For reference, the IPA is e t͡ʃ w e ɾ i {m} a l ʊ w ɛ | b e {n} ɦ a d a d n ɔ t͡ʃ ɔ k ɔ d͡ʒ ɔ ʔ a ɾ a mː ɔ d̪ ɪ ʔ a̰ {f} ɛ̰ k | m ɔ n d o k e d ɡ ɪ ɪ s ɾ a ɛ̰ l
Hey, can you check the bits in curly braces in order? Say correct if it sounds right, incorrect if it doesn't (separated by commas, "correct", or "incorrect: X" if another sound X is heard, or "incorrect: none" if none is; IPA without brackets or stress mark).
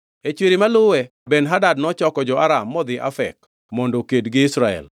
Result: correct, correct, correct